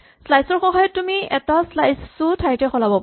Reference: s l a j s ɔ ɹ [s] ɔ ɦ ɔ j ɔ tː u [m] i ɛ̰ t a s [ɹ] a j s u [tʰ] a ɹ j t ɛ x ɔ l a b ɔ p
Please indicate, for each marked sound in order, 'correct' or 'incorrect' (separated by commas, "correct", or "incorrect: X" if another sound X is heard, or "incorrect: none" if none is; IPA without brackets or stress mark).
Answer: incorrect: x, correct, incorrect: l, correct